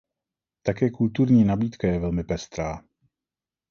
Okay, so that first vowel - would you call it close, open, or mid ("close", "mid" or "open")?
open